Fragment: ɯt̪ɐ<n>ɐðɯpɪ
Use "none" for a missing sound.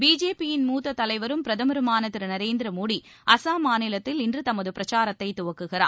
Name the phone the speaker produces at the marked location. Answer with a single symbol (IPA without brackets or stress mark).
m